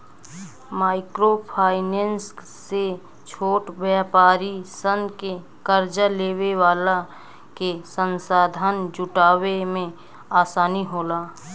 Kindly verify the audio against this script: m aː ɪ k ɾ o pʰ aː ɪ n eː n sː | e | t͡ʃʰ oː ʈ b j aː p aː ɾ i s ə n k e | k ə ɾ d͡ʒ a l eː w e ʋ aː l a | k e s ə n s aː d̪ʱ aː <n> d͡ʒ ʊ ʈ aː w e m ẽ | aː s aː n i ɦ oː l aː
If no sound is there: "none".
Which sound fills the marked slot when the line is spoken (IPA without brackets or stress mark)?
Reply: n